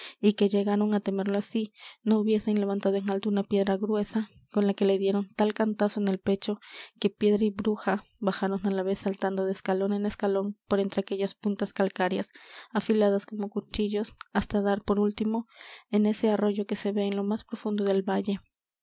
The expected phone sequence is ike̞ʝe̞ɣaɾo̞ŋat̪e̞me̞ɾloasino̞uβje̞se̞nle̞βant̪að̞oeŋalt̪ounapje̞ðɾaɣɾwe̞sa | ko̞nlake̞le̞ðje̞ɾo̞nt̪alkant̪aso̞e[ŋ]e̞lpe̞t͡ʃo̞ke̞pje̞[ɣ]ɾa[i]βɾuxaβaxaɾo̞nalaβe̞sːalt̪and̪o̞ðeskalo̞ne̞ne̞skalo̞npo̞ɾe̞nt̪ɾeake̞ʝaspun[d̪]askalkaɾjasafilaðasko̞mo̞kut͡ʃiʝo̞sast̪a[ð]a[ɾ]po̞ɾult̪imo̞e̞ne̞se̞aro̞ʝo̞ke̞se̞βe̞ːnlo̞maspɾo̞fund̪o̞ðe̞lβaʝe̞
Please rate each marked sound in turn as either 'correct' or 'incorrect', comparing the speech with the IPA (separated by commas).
incorrect, incorrect, correct, incorrect, correct, correct